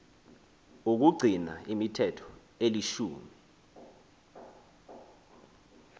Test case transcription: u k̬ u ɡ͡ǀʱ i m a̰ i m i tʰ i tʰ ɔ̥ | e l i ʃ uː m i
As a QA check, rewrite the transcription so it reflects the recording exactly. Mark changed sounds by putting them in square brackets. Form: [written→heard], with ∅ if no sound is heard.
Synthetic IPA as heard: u k̬ u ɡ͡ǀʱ i [m→n] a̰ i m i tʰ [i→ɛ] tʰ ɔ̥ | e l i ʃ uː m i